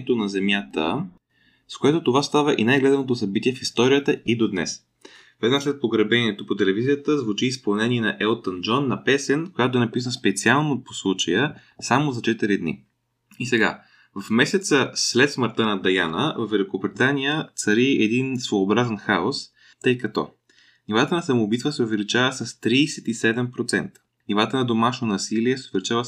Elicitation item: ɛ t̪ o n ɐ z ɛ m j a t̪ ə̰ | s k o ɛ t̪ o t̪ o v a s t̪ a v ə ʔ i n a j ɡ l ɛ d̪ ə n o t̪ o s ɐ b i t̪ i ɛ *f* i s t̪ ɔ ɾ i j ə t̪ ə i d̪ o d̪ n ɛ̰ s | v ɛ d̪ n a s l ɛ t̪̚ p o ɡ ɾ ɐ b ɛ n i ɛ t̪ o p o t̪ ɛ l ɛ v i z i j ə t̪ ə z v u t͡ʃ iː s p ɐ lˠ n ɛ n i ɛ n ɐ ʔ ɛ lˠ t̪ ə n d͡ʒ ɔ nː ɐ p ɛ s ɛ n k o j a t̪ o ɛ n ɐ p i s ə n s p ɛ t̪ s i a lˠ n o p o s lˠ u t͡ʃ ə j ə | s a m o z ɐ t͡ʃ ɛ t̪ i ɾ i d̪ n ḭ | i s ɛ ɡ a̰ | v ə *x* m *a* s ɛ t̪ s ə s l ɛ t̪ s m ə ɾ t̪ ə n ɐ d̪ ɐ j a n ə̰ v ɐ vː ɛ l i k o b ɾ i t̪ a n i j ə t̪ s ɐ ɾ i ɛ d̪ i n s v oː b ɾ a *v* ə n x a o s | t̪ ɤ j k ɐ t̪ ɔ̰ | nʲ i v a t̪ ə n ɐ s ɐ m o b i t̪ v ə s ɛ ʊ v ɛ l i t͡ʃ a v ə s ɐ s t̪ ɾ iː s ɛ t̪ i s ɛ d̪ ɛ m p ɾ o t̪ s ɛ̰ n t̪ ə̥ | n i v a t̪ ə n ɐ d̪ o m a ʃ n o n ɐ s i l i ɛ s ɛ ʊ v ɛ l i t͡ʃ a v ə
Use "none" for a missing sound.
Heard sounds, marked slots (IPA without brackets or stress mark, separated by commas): f, f, ɛ, z